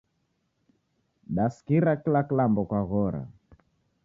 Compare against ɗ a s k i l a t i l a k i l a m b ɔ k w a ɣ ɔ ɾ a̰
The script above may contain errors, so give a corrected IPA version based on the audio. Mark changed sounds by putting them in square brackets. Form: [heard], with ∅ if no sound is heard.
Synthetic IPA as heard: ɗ a s k i [ɾ] a [k] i l a k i l a m b ɔ k w a ɣ ɔ ɾ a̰